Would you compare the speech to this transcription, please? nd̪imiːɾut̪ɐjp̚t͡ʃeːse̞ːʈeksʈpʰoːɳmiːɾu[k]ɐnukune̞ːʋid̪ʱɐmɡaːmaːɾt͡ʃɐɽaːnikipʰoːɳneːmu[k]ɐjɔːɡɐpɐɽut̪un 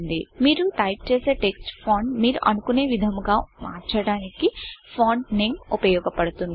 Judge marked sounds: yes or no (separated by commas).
no, no